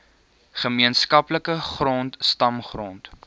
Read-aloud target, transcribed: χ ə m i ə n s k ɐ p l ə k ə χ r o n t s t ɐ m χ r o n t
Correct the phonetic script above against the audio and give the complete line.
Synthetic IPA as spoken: χ ə m i ə n s k ɐ p l ə k ə χ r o n t s t ɐ m χ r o n t